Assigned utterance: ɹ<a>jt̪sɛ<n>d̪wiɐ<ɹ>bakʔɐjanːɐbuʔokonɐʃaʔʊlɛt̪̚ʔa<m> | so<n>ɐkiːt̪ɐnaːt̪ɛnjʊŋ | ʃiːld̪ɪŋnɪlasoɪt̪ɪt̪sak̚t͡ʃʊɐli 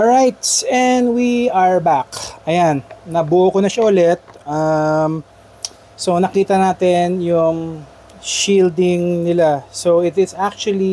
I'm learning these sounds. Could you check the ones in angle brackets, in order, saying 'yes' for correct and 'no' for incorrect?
yes, yes, yes, yes, yes

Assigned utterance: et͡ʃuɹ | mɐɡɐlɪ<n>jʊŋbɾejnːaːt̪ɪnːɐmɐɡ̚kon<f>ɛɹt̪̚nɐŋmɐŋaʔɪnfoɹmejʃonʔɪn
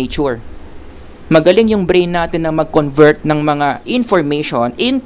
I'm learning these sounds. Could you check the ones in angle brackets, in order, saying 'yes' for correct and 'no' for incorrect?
no, no

